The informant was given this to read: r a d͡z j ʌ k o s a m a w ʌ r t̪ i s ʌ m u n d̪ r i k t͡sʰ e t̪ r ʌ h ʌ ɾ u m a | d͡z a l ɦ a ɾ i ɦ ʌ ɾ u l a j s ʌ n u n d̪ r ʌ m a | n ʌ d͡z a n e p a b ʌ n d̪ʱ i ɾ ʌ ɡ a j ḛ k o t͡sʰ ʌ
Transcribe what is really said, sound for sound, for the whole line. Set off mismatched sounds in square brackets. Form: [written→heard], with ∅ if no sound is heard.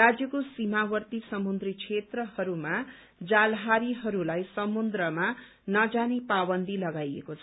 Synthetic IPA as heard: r a d͡z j ʌ k o s [a→i] m a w ʌ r t̪ i s ʌ m u n d̪ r i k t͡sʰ e t̪ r ʌ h ʌ ɾ u m a | d͡z a l ɦ a ɾ i ɦ ʌ ɾ u l a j s ʌ [n→m] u n d̪ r ʌ m a | n ʌ d͡z a n e p a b ʌ n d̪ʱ i [ɾ→l] ʌ ɡ a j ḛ k o t͡sʰ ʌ